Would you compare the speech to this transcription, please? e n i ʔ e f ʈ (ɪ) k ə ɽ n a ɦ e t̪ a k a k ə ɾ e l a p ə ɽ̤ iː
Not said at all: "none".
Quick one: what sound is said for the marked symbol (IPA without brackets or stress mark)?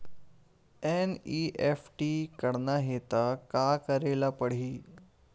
i